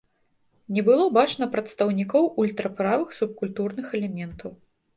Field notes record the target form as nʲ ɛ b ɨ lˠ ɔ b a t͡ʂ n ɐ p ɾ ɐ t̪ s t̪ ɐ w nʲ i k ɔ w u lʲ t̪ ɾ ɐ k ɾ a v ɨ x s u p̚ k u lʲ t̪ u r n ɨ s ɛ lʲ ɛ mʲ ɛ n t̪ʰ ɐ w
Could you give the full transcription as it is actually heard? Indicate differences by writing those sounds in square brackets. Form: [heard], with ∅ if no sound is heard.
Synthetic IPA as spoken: nʲ ɛ b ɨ lˠ ɔ b a t͡ʂ n ɐ p ɾ ɐ t̪ s t̪ ɐ w nʲ i k ɔ w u lʲ t̪ ɾ ɐ [p] ɾ a v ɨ x s u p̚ k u lʲ t̪ u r n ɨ [x] ɛ lʲ ɛ mʲ ɛ n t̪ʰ ɐ w

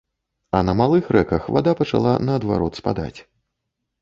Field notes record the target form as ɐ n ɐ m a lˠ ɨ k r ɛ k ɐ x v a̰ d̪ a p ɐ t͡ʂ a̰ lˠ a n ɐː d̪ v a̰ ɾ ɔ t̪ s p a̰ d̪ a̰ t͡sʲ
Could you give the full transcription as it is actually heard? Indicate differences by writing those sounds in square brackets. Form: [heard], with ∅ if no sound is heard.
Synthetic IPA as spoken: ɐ n ɐ m a lˠ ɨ [x] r ɛ k ɐ x v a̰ d̪ a p ɐ t͡ʂ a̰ lˠ a n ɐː d̪ v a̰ ɾ ɔ t̪ s p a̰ d̪ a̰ t͡sʲ

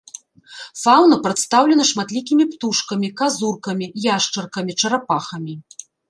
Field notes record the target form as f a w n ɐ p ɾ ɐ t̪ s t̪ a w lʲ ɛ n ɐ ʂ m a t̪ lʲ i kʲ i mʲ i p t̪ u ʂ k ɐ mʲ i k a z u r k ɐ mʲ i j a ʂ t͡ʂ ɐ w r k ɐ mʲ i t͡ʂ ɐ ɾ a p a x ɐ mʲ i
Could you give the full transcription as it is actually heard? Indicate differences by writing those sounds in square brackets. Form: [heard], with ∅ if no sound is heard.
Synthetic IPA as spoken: f a w n ɐ p ɾ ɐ t̪ s t̪ a w lʲ ɛ n ɐ ʂ m a t̪ lʲ i kʲ i mʲ i p t̪ u ʂ k ɐ mʲ i k a z u r k ɐ mʲ i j a ʂ t͡ʂ ɐ [∅] r k ɐ mʲ i t͡ʂ ɐ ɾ a p a x ɐ mʲ i

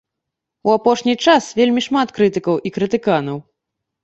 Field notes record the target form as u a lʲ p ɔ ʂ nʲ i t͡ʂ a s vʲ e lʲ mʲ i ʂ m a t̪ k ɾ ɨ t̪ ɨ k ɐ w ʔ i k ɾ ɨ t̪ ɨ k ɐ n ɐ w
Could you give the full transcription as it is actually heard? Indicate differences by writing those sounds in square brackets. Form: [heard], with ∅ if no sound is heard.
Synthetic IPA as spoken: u a [∅] p ɔ ʂ nʲ i t͡ʂ a s vʲ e lʲ mʲ i ʂ m a t̪ k ɾ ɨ t̪ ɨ k ɐ w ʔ i k ɾ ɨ t̪ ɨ k [a] n ɐ w

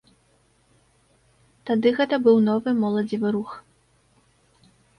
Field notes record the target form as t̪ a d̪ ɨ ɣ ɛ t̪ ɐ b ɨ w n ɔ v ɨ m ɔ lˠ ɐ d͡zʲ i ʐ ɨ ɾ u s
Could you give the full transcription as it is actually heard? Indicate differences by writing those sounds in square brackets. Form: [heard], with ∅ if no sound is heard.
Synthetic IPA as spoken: t̪ a d̪ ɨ ɣ ɛ t̪ ɐ b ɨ w n ɔ v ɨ m ɔ lˠ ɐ d͡zʲ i [v] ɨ ɾ u [x]

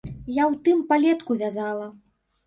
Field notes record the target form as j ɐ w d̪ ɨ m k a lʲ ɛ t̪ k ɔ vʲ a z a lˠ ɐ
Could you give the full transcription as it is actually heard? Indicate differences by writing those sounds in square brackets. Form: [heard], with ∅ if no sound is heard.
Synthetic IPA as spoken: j [a] w [t̪] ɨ m [p] a lʲ ɛ t̪ k [u] vʲ a z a lˠ ɐ

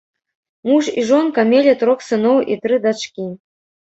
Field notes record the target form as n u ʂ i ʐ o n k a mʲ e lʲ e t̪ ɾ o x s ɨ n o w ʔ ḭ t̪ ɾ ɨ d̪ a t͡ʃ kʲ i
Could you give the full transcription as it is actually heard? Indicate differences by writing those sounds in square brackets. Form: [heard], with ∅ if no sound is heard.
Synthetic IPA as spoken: [m] u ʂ i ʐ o n k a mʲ e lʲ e t̪ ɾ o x s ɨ n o w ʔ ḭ t̪ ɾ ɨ d̪ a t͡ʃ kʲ i

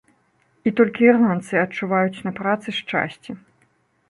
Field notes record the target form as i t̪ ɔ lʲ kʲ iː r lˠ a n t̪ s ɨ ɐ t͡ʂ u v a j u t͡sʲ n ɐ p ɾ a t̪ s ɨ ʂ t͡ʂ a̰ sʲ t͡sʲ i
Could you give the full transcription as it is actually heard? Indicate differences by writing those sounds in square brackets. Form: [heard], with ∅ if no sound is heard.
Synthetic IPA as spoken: i t̪ ɔ lʲ kʲ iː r lˠ a n t̪ s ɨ ɐ t͡ʂ u v a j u t͡sʲ n ɐ p ɾ a t̪ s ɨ ʂ t͡ʂ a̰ sʲ t͡sʲ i

